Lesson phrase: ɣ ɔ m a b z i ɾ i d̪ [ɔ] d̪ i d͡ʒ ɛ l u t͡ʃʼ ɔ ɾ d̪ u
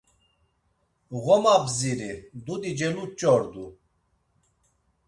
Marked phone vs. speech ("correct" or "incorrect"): incorrect